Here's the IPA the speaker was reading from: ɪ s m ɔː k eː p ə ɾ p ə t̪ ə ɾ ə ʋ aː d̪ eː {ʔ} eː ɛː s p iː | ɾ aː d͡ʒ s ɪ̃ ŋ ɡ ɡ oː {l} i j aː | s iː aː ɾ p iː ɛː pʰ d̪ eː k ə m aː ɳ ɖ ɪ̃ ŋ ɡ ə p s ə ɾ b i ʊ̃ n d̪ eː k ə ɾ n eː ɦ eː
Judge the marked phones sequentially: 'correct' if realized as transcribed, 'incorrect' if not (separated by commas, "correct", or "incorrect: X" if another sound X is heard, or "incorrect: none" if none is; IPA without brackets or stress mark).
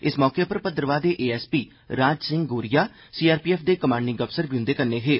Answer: correct, incorrect: ɾ